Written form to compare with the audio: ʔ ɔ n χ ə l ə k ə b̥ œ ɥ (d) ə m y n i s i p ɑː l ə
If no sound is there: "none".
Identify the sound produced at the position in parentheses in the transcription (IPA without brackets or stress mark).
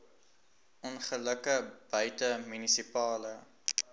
t